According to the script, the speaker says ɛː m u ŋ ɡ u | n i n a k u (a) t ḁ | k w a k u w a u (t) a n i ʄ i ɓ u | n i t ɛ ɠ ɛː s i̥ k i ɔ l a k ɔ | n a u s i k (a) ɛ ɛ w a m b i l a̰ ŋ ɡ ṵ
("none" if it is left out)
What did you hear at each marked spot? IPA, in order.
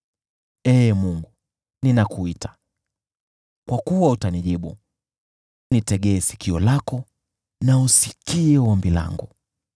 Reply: i, t, i

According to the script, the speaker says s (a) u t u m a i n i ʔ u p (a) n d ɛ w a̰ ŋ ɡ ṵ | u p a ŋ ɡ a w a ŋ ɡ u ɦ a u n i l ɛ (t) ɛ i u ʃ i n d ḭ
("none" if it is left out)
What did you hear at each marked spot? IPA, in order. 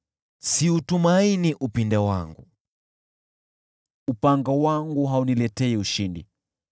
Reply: i, i, t

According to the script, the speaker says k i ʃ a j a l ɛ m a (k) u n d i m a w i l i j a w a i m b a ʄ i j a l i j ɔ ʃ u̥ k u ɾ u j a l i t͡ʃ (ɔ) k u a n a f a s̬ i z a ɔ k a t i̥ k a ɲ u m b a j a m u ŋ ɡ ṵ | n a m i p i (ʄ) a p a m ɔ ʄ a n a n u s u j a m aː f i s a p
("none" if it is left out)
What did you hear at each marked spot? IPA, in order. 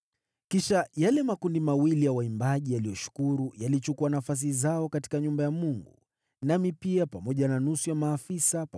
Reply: k, u, none

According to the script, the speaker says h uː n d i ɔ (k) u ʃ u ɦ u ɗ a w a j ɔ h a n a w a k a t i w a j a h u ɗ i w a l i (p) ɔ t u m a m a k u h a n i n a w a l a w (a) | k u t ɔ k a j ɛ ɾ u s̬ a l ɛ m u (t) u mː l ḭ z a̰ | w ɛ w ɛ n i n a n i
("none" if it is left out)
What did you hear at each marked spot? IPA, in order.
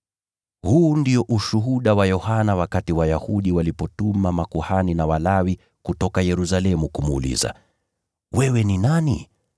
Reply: ʔ, p, i, k

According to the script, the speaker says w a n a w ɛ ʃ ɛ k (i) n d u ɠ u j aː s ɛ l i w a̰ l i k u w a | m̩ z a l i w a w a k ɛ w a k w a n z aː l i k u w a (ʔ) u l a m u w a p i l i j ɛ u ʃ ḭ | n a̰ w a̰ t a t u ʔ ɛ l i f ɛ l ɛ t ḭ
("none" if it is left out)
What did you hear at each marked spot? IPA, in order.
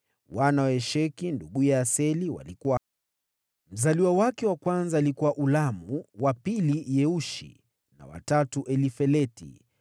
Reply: i, ʔ

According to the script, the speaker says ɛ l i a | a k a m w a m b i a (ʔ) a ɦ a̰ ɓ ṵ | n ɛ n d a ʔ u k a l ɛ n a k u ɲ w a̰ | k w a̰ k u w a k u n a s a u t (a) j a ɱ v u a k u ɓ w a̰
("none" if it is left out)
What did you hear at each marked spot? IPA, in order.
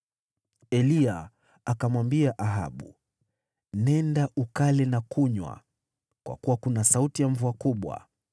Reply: ʔ, i

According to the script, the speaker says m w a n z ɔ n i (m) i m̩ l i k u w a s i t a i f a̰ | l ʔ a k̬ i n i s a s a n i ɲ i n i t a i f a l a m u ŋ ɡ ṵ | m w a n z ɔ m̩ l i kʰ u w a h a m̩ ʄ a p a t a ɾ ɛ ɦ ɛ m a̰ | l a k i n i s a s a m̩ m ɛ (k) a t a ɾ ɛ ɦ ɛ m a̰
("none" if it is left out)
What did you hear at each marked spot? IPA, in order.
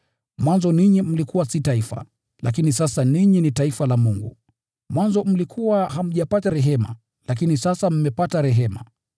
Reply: ɲ, p

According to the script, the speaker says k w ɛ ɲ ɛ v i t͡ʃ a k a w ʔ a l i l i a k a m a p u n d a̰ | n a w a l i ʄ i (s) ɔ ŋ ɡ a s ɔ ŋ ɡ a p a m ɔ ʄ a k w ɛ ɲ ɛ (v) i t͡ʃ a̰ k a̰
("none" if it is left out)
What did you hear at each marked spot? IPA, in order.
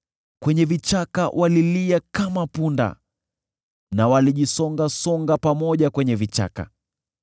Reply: s, v

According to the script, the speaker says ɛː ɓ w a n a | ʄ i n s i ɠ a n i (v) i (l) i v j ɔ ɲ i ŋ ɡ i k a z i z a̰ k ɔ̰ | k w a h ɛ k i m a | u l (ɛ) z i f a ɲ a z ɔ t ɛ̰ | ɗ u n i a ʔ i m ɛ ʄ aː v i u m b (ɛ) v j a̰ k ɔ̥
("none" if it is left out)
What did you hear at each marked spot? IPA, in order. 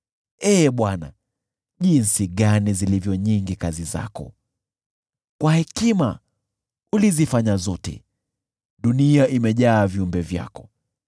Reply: z, l, i, ɛ

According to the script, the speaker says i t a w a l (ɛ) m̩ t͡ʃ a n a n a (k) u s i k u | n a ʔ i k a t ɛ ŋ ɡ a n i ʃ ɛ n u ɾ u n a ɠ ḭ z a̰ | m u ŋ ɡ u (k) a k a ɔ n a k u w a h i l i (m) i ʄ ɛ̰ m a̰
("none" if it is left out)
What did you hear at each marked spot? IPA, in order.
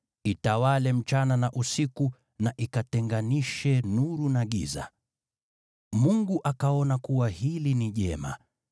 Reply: ɛ, ʔ, ʔ, n

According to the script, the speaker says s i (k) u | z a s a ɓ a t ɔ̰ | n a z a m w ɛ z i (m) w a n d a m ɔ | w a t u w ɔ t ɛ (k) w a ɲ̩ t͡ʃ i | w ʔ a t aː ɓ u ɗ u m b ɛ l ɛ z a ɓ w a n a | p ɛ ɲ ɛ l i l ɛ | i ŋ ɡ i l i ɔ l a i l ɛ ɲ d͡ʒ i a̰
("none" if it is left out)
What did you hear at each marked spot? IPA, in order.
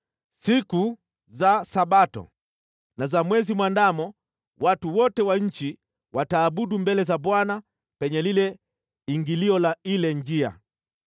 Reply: k, m, none

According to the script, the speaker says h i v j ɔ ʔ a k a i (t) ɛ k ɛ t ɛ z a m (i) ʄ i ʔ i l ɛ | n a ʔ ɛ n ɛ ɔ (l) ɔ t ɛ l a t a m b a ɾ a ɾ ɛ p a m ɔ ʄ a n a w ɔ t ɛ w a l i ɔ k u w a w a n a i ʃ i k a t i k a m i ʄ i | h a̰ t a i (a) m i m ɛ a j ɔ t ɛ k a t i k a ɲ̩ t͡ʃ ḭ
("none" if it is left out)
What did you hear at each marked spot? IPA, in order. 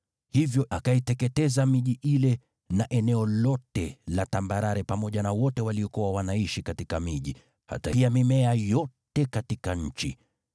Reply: t, i, l, a

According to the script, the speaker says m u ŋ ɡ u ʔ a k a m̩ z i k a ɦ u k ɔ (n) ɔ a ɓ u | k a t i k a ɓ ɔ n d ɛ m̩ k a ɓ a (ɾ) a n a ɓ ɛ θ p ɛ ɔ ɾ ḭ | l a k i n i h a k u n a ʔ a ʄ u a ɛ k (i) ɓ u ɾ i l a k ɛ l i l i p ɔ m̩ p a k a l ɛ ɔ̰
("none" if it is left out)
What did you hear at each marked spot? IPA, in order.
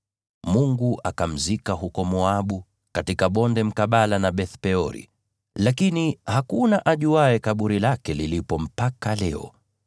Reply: m, l, a

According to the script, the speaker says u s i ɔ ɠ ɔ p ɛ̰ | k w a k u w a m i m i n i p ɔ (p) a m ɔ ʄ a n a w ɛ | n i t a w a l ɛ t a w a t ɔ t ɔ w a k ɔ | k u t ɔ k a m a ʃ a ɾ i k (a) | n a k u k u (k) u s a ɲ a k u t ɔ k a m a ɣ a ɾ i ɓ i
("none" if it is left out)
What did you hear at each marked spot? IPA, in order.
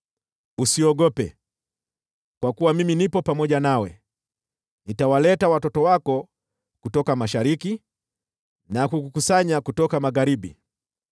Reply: p, i, k

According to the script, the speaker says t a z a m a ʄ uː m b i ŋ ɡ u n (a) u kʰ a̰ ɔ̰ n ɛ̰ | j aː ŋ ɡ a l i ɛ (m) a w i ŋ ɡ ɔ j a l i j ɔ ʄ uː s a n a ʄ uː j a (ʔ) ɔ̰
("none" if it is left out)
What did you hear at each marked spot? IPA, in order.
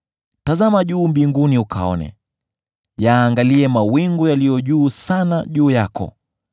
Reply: i, m, k

